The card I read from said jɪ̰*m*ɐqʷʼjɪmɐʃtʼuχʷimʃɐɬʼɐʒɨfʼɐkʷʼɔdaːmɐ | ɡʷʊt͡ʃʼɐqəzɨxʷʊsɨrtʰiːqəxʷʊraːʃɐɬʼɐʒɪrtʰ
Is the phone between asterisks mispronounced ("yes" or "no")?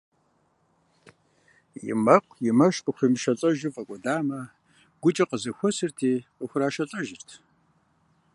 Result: no